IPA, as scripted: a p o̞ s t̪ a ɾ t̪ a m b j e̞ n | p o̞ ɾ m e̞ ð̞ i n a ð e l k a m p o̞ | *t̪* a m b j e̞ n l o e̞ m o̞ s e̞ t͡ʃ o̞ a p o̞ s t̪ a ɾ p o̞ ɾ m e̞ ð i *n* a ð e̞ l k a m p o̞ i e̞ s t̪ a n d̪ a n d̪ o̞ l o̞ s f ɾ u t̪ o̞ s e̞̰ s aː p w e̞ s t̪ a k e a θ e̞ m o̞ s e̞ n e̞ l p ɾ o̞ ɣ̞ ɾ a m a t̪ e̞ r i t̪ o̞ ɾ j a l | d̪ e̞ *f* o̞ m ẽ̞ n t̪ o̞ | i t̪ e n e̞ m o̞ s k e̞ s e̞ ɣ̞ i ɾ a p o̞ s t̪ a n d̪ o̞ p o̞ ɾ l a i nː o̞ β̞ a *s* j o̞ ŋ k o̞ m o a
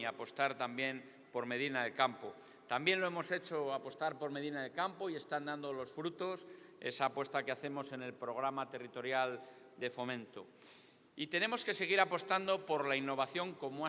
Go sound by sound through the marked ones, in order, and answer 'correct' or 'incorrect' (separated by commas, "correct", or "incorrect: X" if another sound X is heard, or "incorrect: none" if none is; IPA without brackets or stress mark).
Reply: correct, correct, correct, incorrect: θ